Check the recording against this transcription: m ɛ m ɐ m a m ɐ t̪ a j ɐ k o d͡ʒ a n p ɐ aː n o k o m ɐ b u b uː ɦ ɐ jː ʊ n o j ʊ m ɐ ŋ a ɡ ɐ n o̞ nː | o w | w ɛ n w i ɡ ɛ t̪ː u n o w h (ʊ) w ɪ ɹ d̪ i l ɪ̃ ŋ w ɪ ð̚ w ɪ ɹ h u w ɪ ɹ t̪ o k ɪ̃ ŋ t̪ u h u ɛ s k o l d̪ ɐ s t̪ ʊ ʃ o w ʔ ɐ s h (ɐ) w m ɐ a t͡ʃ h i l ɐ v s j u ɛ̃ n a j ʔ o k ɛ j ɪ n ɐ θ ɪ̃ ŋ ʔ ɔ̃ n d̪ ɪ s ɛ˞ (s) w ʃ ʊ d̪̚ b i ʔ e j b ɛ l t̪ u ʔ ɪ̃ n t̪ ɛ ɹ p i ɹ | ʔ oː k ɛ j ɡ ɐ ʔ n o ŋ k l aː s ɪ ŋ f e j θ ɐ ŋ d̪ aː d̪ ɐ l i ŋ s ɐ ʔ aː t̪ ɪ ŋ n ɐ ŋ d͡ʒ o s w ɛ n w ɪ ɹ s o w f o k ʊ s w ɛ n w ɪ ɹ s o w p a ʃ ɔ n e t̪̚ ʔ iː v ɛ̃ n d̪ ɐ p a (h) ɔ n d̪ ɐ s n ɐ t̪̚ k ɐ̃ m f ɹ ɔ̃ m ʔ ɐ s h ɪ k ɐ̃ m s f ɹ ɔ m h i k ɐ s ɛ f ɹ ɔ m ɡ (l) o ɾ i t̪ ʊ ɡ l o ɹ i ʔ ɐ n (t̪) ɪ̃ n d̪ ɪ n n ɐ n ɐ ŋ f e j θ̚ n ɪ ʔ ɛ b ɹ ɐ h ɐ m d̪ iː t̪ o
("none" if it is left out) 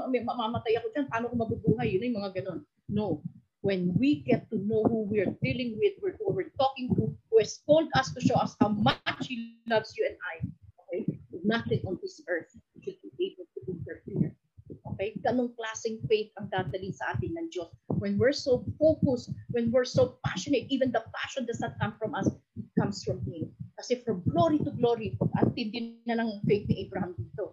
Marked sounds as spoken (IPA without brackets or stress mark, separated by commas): u, a, θ, ʃ, l, t̪